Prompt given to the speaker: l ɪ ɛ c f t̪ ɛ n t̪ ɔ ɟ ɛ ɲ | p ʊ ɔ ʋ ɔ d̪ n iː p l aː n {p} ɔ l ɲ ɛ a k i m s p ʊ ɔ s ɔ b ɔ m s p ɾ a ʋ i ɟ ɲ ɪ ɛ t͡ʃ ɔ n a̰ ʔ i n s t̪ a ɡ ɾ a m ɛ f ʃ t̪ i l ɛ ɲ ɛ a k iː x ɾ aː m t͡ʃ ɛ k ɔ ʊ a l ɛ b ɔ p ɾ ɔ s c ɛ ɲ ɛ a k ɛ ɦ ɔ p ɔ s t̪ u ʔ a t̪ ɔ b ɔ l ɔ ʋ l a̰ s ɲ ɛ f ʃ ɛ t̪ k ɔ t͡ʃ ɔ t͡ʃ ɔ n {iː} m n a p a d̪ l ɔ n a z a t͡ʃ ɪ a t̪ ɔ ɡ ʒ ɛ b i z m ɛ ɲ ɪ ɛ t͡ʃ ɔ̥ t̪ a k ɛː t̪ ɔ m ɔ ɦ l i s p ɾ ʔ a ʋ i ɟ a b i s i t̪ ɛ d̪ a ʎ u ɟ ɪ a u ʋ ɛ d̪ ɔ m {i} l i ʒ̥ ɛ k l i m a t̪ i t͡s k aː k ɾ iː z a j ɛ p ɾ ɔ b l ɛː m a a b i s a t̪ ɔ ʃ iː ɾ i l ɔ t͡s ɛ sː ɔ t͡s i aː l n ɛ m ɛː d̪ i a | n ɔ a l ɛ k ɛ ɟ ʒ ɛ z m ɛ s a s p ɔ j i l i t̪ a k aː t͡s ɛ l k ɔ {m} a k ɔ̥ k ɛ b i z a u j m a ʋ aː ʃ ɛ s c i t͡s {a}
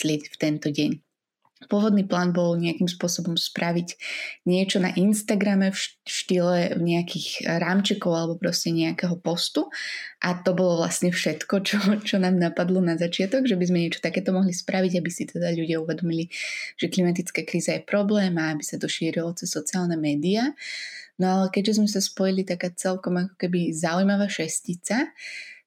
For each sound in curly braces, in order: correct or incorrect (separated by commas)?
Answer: incorrect, incorrect, correct, correct, correct